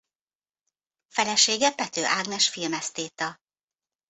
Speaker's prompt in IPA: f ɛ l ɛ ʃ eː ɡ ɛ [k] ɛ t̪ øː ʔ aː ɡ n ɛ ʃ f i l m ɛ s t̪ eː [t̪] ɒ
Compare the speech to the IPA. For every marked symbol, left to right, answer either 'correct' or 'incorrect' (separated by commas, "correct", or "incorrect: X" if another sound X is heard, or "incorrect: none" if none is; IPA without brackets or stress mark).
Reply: incorrect: p, correct